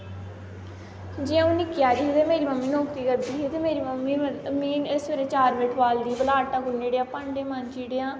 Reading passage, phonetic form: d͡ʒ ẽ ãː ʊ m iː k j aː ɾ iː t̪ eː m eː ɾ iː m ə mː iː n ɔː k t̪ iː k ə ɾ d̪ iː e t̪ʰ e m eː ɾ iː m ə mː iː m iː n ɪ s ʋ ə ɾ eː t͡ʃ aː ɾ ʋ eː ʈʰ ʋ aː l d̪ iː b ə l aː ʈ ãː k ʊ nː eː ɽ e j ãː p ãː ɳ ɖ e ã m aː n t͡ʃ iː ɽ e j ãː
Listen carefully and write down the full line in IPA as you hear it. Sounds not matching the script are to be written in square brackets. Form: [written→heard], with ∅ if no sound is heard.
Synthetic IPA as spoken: d͡ʒ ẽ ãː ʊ [m→n] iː k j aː ɾ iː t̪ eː m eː ɾ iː m ə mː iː n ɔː k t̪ iː k ə ɾ d̪ iː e [t̪ʰ→t̪] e m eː ɾ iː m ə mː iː m iː n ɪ s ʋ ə ɾ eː t͡ʃ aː ɾ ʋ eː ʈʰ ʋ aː l d̪ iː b ə l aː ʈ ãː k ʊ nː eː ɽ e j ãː p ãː ɳ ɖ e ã m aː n t͡ʃ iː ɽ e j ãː